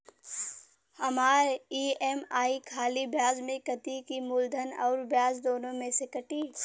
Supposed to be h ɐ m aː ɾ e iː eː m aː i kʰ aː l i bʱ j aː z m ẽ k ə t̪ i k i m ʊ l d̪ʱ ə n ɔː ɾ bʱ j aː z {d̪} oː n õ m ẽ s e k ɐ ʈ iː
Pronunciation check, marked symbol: correct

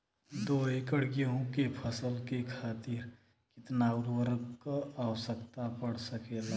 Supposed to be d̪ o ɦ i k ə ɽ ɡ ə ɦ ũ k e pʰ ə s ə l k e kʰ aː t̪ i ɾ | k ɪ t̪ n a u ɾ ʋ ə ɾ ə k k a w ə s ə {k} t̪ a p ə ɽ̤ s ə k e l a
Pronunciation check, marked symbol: correct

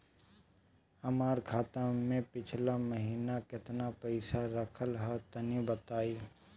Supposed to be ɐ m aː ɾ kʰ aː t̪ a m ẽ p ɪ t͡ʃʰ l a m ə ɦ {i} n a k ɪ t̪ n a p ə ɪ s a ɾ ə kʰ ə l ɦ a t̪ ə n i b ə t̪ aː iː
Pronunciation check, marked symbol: incorrect: iː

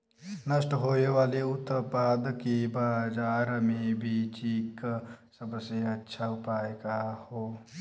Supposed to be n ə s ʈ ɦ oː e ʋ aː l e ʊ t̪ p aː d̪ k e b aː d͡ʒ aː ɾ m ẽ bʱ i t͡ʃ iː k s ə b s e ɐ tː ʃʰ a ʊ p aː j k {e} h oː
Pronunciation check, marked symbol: incorrect: a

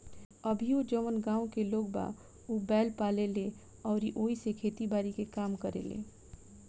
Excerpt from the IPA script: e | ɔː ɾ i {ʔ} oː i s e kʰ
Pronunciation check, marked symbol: correct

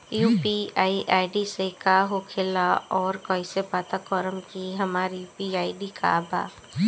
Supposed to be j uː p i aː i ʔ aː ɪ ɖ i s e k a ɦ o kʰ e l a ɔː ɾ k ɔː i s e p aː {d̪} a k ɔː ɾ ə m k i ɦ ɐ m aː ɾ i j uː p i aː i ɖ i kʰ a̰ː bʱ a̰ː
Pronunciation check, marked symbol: incorrect: t̪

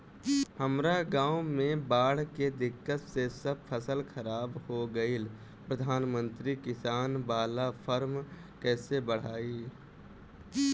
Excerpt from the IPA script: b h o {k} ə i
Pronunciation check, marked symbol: incorrect: ɡ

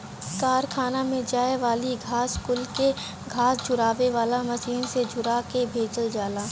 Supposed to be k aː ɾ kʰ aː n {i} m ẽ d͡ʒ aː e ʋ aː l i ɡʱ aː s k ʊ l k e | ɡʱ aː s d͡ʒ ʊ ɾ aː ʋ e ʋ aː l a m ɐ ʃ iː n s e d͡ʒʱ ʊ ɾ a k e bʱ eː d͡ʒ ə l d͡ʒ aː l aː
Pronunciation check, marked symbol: incorrect: a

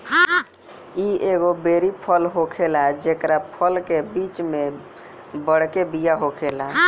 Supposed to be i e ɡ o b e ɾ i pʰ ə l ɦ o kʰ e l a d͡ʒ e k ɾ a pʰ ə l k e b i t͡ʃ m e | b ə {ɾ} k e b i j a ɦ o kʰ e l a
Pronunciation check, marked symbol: incorrect: ɽ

